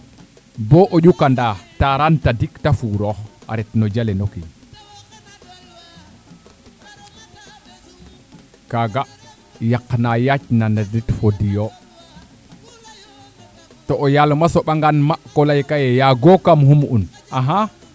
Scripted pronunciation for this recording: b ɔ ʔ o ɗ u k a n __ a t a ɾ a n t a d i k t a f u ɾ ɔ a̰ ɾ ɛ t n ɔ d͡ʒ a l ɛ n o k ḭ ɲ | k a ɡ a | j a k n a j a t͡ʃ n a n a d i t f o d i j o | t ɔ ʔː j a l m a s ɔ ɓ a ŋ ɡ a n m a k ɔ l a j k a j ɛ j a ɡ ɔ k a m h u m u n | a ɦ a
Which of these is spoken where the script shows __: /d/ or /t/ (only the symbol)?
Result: d